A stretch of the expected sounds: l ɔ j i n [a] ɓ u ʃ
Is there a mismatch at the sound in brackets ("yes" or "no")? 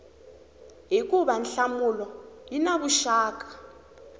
no